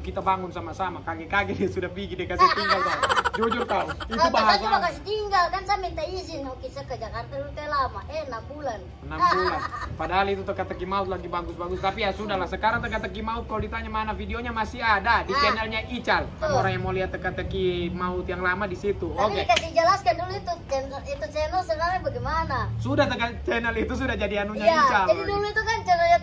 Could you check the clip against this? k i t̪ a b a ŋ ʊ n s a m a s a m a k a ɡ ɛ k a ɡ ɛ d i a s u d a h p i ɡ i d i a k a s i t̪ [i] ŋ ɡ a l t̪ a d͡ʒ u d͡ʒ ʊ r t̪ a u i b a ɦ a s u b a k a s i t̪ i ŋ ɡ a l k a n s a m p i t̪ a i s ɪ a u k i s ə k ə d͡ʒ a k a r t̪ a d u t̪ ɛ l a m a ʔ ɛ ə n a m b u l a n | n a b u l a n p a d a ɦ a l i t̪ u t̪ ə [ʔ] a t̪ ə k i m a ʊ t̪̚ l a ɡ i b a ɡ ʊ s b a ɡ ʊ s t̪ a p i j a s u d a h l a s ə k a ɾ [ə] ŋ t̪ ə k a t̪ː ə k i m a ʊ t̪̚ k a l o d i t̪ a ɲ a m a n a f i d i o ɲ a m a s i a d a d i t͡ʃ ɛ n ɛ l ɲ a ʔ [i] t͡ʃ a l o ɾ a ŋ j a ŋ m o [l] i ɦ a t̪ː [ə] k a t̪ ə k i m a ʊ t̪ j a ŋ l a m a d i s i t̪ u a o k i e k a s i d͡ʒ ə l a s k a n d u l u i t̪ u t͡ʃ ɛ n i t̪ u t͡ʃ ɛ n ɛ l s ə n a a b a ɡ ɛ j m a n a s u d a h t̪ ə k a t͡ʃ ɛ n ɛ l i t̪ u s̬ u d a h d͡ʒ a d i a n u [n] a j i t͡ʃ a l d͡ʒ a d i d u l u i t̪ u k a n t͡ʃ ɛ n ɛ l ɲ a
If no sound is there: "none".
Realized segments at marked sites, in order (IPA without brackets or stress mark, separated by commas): i, k, a, i, l, ə, ɲ